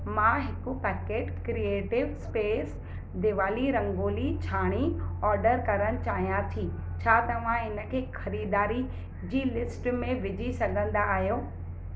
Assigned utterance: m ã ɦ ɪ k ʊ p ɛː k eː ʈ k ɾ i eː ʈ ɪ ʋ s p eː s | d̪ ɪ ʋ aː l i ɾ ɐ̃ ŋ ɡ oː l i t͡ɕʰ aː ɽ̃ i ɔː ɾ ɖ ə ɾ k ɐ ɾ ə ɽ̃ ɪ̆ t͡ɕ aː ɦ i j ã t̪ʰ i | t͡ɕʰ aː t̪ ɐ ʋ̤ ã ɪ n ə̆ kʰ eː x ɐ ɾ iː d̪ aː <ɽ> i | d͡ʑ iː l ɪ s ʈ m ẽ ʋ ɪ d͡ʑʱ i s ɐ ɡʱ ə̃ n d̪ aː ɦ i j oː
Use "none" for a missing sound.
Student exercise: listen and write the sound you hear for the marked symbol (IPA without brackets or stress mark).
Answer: ɾ